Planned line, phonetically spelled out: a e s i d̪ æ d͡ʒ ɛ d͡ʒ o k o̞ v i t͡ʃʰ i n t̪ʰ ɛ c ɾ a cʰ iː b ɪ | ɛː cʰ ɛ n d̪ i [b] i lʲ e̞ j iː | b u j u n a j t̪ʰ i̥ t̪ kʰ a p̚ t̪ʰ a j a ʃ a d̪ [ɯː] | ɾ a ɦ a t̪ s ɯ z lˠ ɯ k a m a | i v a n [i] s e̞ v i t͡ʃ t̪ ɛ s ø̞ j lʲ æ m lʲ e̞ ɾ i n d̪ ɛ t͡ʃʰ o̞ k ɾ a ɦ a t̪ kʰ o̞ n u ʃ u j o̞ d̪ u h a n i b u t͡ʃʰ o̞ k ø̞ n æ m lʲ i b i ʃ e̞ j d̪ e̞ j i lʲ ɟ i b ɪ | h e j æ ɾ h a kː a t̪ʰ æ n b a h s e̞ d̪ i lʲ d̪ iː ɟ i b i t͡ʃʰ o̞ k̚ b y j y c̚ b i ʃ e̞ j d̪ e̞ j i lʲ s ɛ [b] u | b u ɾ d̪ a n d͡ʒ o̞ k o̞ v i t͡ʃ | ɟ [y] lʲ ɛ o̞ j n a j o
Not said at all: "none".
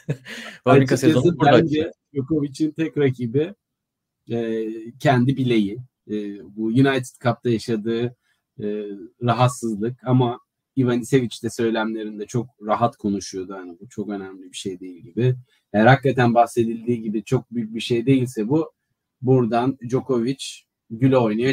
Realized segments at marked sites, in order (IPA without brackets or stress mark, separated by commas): b, ɯː, i, b, y